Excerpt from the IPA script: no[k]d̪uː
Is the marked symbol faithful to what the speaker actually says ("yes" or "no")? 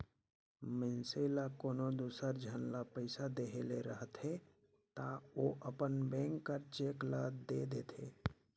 no